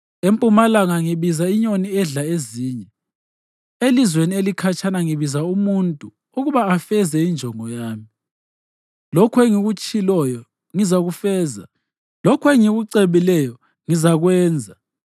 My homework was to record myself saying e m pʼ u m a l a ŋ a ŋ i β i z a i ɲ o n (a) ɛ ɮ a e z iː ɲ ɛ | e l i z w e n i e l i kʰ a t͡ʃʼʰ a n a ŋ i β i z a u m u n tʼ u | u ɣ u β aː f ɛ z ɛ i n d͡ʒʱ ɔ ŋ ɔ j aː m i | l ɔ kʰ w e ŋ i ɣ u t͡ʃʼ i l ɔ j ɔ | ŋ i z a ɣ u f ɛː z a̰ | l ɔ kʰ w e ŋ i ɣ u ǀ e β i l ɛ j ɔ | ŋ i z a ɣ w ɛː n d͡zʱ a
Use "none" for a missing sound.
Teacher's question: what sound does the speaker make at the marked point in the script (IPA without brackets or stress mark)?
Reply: i